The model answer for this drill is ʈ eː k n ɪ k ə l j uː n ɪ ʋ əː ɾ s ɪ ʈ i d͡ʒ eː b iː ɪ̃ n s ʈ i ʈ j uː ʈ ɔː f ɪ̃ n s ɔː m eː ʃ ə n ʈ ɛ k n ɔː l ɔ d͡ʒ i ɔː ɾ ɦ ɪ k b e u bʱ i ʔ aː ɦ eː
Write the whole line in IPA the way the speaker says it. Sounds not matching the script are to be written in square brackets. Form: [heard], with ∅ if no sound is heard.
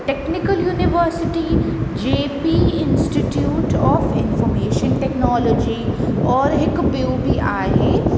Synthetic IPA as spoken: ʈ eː k n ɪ k ə l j uː n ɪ ʋ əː ɾ s ɪ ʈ i d͡ʒ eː [p] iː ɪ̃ n s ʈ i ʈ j uː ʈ ɔː f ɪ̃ n [f] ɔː m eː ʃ ə n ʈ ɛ k n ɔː l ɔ d͡ʒ i ɔː ɾ ɦ ɪ k b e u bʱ i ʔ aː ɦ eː

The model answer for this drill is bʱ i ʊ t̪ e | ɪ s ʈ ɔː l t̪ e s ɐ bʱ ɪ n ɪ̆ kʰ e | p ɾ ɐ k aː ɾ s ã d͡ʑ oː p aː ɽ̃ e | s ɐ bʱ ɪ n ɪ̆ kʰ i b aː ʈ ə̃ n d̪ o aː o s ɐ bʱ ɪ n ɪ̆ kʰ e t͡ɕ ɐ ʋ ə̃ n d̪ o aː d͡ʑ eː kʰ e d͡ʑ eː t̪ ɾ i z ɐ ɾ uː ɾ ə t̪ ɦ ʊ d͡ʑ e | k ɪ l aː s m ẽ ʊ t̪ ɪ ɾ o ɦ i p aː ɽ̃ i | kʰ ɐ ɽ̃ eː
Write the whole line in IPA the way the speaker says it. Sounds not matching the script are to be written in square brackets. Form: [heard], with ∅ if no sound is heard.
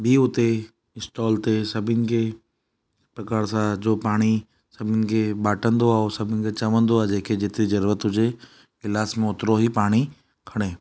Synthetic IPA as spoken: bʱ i ʊ t̪ e | ɪ s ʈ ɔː l t̪ e s ɐ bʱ ɪ n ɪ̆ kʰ e | p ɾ ɐ k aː ɾ s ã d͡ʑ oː p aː ɽ̃ [i] | s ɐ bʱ ɪ n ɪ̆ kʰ [e] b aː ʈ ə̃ n d̪ o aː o s ɐ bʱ ɪ n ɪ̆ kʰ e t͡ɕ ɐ ʋ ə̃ n d̪ o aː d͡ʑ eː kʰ e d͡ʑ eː t̪ ɾ i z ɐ ɾ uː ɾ ə t̪ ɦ ʊ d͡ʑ e | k ɪ l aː s m ẽ ʊ t̪ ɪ ɾ o ɦ i p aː ɽ̃ i | kʰ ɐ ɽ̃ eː

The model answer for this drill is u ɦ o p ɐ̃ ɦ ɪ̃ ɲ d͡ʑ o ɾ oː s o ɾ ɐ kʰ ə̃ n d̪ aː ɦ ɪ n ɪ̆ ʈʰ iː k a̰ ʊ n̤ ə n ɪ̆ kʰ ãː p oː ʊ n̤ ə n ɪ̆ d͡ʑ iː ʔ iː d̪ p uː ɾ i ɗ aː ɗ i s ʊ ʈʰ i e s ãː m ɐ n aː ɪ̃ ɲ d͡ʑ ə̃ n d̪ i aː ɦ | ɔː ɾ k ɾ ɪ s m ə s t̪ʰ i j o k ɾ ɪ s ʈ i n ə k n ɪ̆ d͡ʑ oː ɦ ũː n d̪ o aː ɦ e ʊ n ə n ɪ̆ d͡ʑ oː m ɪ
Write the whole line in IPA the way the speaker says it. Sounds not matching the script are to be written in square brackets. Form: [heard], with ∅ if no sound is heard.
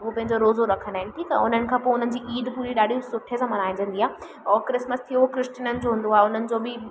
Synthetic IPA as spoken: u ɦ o p ɐ̃ ɦ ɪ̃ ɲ d͡ʑ o ɾ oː [z] o ɾ ɐ kʰ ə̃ n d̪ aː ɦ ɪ n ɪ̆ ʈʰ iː k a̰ ʊ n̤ ə n ɪ̆ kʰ ãː p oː ʊ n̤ ə n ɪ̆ d͡ʑ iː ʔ iː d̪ p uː ɾ i ɗ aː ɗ i s ʊ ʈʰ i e s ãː m ɐ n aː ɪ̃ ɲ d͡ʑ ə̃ n d̪ i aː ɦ | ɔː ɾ k ɾ ɪ s m ə s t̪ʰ i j o k ɾ ɪ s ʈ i n ə [∅] n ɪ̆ d͡ʑ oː ɦ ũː n d̪ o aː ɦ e ʊ n ə n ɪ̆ d͡ʑ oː [b] ɪ

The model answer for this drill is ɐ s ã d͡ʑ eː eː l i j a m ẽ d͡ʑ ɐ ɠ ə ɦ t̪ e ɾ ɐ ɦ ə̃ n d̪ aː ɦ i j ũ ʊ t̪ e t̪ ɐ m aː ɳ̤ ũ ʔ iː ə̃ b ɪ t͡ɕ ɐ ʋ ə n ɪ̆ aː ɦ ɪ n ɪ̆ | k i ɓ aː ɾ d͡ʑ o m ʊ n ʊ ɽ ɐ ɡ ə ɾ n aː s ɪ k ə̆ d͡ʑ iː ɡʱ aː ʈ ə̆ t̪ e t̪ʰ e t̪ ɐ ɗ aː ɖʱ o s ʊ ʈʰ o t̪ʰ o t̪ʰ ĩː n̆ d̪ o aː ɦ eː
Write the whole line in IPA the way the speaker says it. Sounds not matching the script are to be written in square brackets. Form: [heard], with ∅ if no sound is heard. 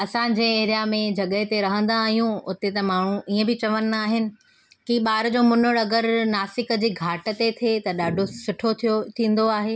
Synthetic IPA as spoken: ɐ s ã d͡ʑ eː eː [ɾ] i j a m ẽ d͡ʑ ɐ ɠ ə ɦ t̪ e ɾ ɐ ɦ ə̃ n d̪ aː ɦ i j ũ ʊ t̪ e t̪ ɐ m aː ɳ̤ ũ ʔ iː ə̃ b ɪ t͡ɕ ɐ ʋ ə n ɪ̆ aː ɦ ɪ n ɪ̆ | k i ɓ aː ɾ d͡ʑ o m ʊ n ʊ ɽ ɐ ɡ ə ɾ n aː s ɪ k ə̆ d͡ʑ iː ɡʱ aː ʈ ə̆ t̪ e t̪ʰ e t̪ ɐ ɗ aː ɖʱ o s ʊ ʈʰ o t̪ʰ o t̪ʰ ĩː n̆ d̪ o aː ɦ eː

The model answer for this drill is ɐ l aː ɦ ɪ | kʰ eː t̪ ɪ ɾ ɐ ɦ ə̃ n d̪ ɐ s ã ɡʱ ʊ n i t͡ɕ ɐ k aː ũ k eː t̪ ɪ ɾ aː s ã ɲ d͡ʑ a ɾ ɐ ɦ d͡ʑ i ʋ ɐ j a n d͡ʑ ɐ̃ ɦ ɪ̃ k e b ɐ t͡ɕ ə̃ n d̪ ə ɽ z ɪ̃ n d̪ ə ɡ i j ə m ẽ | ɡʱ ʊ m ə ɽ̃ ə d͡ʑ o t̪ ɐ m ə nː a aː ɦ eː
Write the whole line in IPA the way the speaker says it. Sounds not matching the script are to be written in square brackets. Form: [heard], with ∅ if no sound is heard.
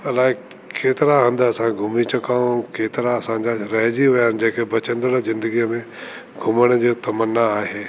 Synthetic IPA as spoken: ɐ l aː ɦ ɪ | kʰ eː t̪ ɪ ɾ [a] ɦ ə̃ n d̪ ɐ s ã ɡʱ ʊ [m] i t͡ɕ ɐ k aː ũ k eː t̪ ɪ ɾ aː s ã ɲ d͡ʑ a ɾ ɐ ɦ d͡ʑ i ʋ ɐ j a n d͡ʑ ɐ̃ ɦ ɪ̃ k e b ɐ t͡ɕ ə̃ n d̪ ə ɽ z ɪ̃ n d̪ ə ɡ i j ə m ẽ | ɡʱ ʊ m ə ɽ̃ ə d͡ʑ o t̪ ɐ m ə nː a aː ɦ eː

